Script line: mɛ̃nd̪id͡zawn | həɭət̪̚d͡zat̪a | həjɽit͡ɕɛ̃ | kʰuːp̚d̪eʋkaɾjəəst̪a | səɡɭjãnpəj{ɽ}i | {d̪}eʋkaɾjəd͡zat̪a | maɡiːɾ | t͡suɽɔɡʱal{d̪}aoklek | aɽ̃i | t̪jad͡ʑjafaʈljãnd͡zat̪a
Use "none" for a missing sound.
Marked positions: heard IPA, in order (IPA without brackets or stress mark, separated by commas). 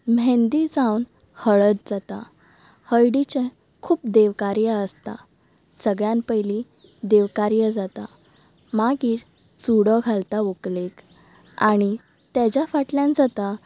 l, d̪, t̪